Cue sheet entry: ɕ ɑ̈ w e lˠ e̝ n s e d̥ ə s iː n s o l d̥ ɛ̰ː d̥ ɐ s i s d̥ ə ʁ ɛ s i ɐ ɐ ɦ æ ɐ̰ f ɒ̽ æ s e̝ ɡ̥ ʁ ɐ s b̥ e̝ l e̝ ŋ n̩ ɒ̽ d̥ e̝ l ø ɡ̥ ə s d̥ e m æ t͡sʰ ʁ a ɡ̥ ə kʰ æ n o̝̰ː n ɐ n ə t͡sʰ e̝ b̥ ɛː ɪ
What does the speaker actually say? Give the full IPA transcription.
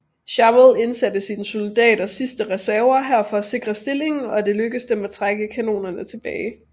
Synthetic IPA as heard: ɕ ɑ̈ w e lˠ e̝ n s æ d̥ ə s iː n s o l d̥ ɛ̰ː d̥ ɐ s i s d̥ ə ʁ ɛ s æ ɐ ɐ ɦ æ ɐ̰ f ɒ̽ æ s e̝ ɡ̥ ʁ ɐ s d̥ e̝ l e̝ ŋ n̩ ɒ̽ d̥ e̝ l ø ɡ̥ ə s d̥ e m æ t͡sʰ ʁ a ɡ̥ ə kʰ æ n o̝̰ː n ɐ n ə t͡sʰ e̝ b̥ ɛː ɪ